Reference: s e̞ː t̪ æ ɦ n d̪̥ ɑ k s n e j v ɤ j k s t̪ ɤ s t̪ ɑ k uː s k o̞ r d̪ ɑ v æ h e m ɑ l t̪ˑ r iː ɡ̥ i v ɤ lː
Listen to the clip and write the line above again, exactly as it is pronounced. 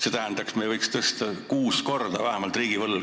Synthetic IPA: s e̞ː t̪ æ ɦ n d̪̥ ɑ k s m e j v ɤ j k s t̪ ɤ s t̪ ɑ k uː s k o̞ r d̪ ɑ v æ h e m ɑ l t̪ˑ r iː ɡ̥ i v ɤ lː